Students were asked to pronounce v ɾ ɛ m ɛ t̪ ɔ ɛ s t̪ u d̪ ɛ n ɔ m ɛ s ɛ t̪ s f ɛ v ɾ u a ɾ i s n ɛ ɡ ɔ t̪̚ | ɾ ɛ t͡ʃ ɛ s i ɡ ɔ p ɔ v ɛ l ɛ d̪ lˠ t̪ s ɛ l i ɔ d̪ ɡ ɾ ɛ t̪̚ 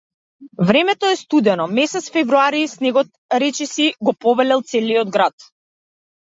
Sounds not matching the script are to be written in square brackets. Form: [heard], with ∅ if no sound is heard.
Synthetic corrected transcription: v ɾ ɛ m ɛ t̪ ɔ ɛ s t̪ u d̪ ɛ n ɔ m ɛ s ɛ t̪ s f ɛ v ɾ u a ɾ i s n ɛ ɡ ɔ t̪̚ | ɾ ɛ t͡ʃ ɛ s i ɡ ɔ p ɔ v ɛ l ɛ [∅] lˠ t̪ s ɛ l i ɔ d̪ ɡ ɾ [a] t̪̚